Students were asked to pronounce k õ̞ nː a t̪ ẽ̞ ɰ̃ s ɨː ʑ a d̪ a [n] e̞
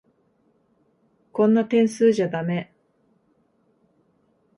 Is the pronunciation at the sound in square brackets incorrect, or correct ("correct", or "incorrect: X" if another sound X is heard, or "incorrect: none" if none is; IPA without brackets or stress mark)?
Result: incorrect: m